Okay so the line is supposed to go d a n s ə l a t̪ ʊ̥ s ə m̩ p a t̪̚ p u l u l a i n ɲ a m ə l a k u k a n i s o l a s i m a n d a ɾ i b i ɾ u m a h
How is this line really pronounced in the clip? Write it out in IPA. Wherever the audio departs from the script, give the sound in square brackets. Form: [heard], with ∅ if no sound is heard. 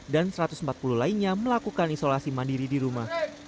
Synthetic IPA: d a n s ə [ɾ] a t̪ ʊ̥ s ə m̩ p a t̪̚ p u l u l a i n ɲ a m ə l a k u k a n i s o l a s i m a n d [i] ɾ i [d] i ɾ u m a h